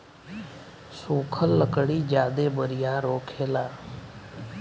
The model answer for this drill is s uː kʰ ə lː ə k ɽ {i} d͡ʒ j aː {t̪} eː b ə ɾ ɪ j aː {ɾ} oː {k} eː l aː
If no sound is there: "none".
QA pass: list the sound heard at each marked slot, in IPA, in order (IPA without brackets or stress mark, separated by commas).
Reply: iː, d̪, ɾ, kʰ